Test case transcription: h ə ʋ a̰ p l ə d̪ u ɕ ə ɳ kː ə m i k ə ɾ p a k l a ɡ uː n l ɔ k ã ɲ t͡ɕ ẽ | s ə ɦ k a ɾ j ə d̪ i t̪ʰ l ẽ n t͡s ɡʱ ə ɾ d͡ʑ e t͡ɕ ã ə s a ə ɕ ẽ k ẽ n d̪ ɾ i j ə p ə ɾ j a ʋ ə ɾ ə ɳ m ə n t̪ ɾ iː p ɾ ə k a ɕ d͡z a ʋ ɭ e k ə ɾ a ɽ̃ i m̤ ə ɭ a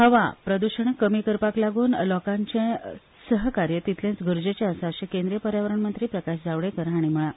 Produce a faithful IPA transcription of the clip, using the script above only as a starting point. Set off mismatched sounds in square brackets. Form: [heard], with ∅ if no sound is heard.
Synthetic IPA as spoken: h ə ʋ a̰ p [ɾ] ə d̪ u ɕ ə ɳ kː ə m i k ə ɾ p a k l a ɡ uː n l ɔ k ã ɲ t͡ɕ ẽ | s ə ɦ k a ɾ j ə [t̪] i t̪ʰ l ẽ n t͡s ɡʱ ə ɾ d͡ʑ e t͡ɕ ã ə s a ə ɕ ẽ k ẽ n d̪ ɾ i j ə p ə ɾ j a ʋ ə ɾ ə ɳ m ə n t̪ ɾ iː p ɾ ə k a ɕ d͡z a ʋ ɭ e k ə ɾ a ɽ̃ i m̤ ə ɭ a